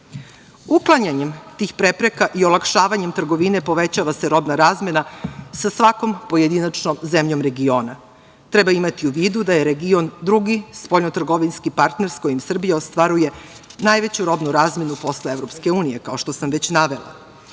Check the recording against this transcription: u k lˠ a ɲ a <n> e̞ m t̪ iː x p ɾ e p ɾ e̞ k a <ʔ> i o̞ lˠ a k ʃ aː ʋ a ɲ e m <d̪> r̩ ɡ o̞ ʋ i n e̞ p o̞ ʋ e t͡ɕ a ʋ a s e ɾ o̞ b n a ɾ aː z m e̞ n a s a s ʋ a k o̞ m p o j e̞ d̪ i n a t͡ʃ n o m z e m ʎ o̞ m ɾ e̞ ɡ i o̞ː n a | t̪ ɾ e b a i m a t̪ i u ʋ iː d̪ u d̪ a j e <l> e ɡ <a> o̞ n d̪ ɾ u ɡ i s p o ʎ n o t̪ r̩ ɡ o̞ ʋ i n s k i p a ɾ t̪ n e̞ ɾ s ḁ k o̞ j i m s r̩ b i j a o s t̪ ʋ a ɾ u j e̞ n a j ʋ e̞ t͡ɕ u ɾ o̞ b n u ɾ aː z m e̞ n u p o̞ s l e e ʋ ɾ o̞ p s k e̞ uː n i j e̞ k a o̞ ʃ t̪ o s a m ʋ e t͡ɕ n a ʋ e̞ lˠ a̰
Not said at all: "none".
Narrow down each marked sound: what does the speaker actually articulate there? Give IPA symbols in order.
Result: ɲ, ʔ, t̪, ɾ, i

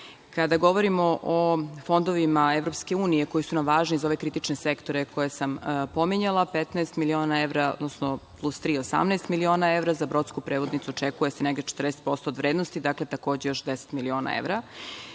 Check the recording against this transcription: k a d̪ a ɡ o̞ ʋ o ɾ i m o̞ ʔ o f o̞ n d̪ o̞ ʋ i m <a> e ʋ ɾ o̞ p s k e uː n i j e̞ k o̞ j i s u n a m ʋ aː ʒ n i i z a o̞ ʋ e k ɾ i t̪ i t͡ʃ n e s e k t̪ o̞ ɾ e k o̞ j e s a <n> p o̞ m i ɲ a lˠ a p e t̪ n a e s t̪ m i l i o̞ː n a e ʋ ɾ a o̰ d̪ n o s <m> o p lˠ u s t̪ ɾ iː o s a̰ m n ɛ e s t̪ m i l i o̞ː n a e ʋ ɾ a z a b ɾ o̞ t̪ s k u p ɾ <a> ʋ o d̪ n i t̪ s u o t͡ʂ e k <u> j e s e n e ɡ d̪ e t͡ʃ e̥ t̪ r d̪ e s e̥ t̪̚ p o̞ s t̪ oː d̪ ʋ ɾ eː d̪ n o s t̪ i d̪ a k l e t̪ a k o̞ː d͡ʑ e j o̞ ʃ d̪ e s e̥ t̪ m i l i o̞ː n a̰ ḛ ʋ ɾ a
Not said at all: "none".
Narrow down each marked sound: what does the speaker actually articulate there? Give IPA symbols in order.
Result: a, m, n, e, u

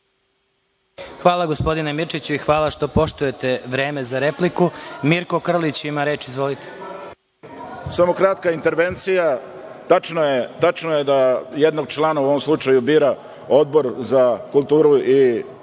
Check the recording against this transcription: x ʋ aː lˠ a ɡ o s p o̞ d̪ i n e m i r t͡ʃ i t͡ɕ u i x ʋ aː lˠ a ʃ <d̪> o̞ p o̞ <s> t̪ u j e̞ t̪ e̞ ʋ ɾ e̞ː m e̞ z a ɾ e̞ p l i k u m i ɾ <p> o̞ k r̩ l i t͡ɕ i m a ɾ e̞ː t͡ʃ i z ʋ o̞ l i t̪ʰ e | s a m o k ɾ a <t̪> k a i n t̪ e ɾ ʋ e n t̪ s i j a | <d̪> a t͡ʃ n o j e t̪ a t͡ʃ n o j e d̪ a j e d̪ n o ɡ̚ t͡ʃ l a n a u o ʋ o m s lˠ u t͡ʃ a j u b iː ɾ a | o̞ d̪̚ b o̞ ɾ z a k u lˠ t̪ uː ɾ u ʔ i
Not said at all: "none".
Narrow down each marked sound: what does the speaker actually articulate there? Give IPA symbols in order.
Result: t̪, ʃ, k, t̪, t̪

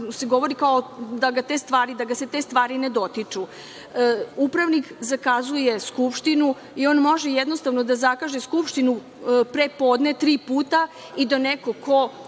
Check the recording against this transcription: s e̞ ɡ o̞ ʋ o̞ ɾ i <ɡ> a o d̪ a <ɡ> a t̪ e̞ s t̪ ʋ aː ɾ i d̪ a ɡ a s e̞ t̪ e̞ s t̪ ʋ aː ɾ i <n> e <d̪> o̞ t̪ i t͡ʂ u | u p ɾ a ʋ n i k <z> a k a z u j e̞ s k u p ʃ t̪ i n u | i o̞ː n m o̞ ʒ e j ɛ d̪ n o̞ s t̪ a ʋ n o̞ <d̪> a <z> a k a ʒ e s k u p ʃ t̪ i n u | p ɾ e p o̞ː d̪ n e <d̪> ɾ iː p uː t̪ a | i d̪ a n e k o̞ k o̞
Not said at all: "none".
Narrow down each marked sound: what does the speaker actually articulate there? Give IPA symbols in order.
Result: k, ɡ, n, d̪, z, d̪, z, t̪

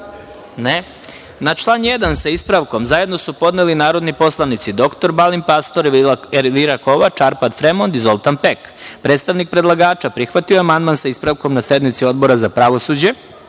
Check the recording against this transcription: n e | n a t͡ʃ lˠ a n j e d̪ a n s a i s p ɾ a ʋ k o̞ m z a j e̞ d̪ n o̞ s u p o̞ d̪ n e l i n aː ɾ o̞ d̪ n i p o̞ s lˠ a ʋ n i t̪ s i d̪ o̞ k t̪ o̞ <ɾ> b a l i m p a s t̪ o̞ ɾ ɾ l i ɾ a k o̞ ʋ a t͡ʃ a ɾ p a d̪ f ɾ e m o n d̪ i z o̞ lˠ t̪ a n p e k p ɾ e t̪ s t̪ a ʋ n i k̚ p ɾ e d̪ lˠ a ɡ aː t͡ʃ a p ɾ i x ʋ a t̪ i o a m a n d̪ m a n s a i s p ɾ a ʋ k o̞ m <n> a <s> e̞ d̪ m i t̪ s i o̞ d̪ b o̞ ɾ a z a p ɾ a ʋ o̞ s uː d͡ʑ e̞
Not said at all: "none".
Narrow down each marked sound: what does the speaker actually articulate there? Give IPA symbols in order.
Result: ɾ, n, s

